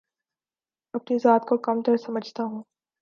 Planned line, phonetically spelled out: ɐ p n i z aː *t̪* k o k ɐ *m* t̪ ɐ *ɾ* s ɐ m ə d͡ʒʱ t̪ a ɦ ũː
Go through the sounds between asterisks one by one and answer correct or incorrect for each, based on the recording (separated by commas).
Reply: correct, correct, correct